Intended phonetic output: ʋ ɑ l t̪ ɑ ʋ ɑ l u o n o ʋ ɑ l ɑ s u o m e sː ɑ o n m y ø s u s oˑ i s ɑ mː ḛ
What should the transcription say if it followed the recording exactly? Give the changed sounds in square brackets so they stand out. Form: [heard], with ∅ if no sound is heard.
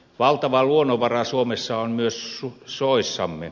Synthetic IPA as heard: ʋ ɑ l t̪ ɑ ʋ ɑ l u o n o ʋ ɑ [r] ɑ s u o m e sː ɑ o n m y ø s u s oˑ i [sː] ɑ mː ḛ